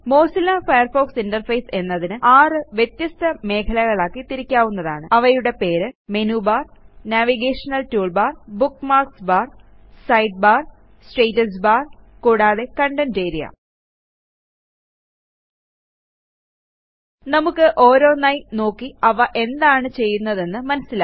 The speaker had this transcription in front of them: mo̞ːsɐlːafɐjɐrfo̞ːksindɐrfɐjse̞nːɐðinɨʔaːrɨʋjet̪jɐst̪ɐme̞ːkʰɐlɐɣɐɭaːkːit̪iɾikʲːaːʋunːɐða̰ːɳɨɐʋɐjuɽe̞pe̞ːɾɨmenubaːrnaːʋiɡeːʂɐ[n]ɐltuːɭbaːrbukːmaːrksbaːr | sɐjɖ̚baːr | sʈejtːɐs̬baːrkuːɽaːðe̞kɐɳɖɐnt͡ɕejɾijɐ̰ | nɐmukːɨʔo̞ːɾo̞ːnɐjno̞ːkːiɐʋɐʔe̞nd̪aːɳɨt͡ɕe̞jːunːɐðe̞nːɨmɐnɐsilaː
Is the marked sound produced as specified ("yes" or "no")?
yes